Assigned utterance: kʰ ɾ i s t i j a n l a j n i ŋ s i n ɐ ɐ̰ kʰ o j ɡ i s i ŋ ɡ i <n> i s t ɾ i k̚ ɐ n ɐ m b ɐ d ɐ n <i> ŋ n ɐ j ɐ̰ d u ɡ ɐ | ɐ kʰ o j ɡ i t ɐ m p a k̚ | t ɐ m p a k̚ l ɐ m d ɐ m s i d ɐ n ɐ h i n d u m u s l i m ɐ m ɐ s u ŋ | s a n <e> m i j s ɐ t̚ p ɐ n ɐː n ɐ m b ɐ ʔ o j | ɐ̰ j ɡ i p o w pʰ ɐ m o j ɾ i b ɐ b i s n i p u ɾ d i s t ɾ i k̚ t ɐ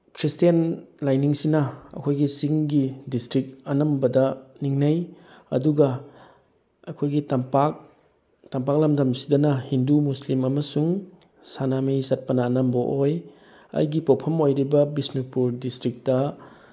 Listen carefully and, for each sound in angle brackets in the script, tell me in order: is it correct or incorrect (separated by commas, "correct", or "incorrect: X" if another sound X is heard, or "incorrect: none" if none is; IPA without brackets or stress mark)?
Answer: incorrect: d, correct, incorrect: a